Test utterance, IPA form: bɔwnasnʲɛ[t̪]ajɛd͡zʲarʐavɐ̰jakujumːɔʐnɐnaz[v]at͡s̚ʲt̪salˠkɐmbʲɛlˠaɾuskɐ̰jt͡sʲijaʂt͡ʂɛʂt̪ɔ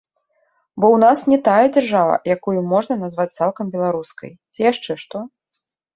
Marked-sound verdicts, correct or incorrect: correct, correct

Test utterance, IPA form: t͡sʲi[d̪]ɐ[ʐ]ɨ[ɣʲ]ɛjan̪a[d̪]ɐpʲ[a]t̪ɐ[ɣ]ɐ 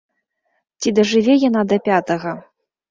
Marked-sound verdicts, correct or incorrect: correct, correct, incorrect: vʲ, correct, correct, correct

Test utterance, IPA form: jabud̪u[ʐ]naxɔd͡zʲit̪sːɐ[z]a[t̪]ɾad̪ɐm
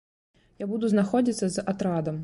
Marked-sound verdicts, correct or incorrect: incorrect: z, correct, correct

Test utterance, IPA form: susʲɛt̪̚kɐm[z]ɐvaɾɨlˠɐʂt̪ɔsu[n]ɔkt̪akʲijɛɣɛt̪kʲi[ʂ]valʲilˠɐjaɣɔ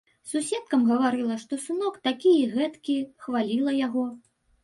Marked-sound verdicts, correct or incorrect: incorrect: ɣ, correct, incorrect: x

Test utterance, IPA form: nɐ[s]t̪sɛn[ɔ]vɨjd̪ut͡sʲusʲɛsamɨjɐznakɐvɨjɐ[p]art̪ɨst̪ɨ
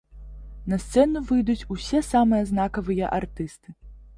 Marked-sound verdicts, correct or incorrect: correct, incorrect: u, incorrect: ʔ

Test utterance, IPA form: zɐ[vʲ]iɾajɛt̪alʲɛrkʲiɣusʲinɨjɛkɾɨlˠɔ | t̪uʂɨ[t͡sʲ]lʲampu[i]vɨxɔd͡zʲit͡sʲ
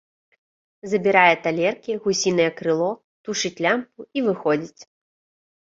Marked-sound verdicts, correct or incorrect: incorrect: bʲ, correct, correct

